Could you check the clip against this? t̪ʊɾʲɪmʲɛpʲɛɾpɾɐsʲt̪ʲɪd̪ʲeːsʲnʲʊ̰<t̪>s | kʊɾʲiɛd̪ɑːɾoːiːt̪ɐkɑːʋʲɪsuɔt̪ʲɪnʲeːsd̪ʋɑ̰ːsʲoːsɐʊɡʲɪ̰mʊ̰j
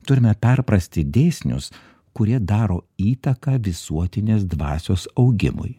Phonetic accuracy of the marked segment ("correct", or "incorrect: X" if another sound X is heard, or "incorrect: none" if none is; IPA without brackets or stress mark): incorrect: none